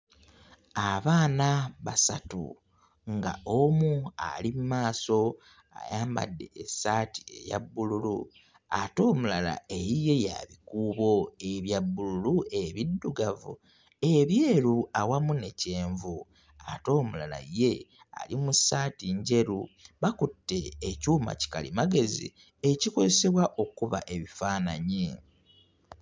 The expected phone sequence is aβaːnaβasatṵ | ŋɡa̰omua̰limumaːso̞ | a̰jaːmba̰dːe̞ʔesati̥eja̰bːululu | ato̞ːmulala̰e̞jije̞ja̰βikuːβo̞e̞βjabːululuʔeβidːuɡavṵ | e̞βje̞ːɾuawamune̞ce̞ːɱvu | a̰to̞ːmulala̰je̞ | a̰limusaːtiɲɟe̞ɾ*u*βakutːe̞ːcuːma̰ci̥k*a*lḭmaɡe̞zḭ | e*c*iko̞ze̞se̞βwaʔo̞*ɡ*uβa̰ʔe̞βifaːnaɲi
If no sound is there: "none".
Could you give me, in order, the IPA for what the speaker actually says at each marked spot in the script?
u, a, c, k

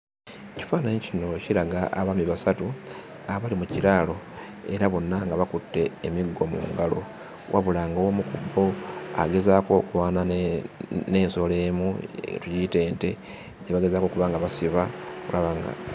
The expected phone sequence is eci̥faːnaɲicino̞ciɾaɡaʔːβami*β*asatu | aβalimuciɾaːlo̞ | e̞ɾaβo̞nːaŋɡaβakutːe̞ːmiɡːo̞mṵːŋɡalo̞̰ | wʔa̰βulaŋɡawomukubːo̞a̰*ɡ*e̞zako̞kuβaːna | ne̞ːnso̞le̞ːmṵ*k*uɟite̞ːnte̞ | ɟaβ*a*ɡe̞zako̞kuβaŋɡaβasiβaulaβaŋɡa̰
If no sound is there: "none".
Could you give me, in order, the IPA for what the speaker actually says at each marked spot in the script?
β, ɡ, t, a

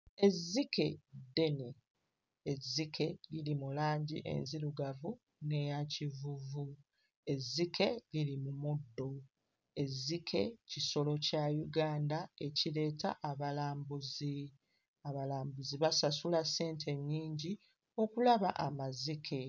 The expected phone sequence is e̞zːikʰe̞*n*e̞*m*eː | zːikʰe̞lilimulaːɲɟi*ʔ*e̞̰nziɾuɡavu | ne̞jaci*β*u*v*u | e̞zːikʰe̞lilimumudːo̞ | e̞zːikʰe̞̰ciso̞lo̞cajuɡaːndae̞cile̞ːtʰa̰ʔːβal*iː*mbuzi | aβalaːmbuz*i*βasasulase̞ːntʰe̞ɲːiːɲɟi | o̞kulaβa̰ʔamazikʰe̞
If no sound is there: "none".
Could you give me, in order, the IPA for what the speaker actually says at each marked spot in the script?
d, n, ʔ, v, v, aː, i

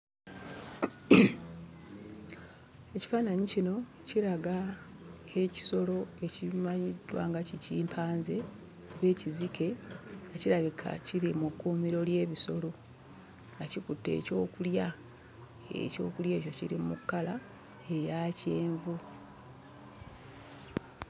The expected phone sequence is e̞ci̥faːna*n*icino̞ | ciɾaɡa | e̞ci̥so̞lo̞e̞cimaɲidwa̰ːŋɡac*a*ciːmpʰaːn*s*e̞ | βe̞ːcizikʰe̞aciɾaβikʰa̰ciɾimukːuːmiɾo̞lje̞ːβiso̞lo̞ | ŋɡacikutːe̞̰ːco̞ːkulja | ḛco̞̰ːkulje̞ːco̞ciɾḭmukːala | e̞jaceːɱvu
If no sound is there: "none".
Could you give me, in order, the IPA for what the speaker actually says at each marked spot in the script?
ɲ, i, z

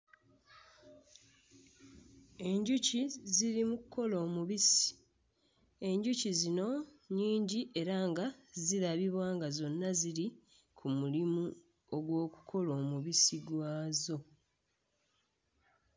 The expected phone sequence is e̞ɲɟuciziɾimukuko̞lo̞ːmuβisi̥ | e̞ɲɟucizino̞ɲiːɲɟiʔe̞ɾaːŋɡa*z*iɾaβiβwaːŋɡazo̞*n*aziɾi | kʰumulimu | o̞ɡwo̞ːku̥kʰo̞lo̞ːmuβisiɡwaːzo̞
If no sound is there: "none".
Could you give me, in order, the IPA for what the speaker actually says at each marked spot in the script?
z, nː

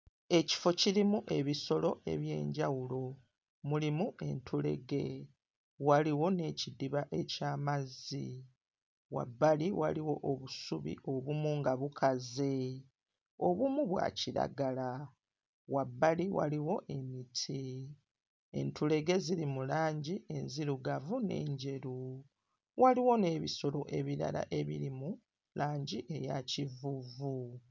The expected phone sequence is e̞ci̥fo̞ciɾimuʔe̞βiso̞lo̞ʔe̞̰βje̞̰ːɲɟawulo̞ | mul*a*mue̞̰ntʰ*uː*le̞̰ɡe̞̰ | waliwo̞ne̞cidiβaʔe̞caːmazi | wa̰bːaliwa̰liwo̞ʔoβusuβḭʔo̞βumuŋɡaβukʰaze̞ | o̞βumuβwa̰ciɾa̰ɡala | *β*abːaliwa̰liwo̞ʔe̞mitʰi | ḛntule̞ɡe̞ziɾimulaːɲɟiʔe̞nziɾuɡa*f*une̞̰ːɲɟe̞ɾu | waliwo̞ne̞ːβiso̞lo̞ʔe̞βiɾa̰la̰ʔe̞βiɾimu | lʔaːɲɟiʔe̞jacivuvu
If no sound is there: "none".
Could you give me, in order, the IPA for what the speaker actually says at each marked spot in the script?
i, u, w, v

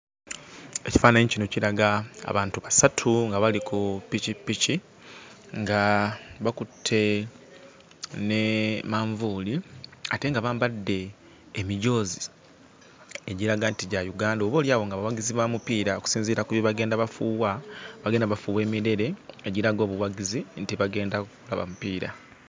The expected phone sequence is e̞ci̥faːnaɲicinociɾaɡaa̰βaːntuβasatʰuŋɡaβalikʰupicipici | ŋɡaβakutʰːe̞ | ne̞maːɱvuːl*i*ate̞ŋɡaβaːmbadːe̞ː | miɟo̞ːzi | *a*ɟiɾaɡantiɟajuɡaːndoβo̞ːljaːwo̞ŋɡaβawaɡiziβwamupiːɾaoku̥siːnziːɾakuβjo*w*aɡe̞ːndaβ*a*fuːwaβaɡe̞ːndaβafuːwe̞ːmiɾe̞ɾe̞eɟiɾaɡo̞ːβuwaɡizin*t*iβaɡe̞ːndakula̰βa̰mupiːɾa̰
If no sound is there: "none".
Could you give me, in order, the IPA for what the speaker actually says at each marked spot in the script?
i, e, β, a, t

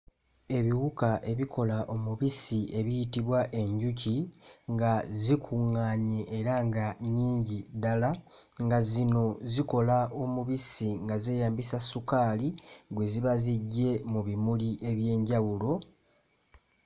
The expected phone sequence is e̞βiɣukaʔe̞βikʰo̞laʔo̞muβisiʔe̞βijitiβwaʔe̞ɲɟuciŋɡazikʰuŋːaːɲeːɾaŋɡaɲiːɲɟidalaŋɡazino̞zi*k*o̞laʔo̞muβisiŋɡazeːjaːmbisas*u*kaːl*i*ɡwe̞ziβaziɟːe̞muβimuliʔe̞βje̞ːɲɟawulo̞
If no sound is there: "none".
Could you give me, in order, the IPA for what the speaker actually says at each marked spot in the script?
k, u, i

